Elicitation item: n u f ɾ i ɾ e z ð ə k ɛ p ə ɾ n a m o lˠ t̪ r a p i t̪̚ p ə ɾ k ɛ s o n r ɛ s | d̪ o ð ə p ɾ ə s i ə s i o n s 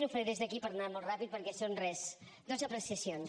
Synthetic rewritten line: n u f ɾ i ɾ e z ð ə k i p ə ɾ n a m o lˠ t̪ r a p i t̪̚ p ə ɾ k ɛ s o n r ɛ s | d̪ o z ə p ɾ ə s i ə s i o n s